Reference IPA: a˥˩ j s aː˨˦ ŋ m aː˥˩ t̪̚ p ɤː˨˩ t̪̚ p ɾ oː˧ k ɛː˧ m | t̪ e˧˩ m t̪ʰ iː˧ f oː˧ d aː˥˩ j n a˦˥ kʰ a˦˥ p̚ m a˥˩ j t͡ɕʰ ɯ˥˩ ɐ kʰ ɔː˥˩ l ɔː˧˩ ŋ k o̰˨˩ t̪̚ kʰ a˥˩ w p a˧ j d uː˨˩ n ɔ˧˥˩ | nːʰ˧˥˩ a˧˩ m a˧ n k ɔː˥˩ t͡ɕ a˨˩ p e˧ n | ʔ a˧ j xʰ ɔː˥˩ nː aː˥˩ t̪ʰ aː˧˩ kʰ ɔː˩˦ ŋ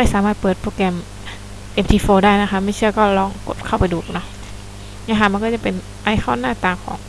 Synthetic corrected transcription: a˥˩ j s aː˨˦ m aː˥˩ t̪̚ p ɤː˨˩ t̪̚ p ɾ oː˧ k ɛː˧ m | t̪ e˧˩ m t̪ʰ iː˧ f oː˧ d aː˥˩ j n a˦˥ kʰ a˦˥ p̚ m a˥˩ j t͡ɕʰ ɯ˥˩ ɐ k ɔː˥˩ l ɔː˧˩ ŋ k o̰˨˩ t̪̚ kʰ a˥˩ w p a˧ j d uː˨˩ n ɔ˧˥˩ | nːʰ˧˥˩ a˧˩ m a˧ n k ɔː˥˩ t͡ɕ a˨˩ p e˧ n | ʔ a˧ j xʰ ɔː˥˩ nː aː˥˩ t̪ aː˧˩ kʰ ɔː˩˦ ŋ

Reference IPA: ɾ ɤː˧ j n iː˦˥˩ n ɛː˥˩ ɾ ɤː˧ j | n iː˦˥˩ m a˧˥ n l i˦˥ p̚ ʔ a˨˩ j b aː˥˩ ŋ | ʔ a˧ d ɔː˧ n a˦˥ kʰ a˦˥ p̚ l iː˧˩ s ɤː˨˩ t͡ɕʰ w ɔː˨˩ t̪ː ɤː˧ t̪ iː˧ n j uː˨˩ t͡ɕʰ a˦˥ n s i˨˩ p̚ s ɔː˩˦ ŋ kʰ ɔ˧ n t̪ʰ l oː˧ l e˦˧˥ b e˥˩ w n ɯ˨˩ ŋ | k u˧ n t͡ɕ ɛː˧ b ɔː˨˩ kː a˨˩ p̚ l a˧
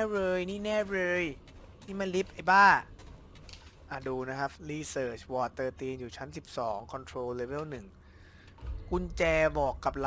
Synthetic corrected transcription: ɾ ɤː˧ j n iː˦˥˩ n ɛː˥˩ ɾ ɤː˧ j | n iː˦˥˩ m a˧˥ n l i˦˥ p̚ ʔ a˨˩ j b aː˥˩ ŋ | ʔ a˨˩ d uː˧ n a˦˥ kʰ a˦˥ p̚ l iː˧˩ s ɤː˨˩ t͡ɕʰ w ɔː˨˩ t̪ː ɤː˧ t̪ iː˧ n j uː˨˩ t͡ɕʰ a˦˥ n s i˨˩ p̚ s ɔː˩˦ ŋ kʰ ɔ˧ n t̪ʰ ɾ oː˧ l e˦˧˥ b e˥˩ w n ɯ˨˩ ŋ | k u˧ n t͡ɕ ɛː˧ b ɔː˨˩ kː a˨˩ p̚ l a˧

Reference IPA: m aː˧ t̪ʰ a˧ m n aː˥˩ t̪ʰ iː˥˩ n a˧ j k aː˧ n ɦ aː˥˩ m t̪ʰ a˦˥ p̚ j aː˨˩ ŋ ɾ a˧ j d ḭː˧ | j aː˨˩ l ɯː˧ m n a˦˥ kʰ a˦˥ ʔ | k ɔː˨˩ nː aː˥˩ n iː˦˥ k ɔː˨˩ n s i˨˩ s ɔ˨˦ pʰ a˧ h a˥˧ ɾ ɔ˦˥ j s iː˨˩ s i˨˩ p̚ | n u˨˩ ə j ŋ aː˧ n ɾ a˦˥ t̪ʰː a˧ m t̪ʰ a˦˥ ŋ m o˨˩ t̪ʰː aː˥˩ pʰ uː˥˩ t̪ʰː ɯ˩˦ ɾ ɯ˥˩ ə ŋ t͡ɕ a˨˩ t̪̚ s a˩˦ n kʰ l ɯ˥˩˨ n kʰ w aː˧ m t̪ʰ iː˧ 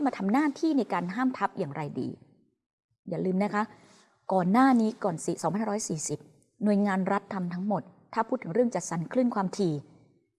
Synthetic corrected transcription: m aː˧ t̪ʰ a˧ m n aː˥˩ t̪ʰ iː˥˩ n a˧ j k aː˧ n ɦ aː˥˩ m t̪ʰ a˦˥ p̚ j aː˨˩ ŋ ɾ a˧ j d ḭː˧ | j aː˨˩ l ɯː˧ m n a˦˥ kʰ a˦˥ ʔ | k ɔː˨˩ nː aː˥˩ n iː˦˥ k ɔː˨˩ n s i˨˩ s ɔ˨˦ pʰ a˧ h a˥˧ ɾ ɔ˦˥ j s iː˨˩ s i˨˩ p̚ | n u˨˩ ə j ŋ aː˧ n ɾ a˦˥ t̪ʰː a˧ m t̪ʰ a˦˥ ŋ m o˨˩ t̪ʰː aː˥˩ pʰ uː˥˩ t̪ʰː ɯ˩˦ ɾ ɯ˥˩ ə ŋ t͡ɕ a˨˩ t̪̚ s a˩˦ n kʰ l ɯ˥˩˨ n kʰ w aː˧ m t̪ʰ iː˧

